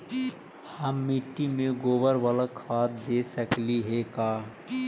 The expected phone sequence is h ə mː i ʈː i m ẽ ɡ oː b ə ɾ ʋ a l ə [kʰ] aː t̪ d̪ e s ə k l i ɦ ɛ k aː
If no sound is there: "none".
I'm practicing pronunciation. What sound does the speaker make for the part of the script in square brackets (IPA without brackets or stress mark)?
kʰ